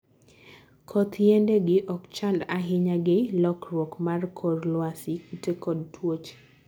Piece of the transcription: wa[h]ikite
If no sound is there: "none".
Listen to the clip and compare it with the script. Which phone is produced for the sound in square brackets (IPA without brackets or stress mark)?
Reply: s